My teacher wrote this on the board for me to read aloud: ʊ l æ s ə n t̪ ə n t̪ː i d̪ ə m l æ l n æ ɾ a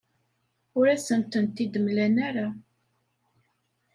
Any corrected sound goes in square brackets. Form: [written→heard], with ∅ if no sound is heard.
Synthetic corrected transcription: ʊ [l→ɾ] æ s ə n t̪ ə n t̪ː i d̪ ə m l æ [l→∅] n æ ɾ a